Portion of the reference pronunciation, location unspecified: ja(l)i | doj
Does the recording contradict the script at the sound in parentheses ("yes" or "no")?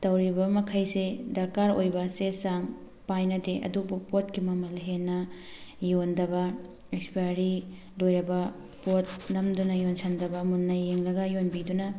yes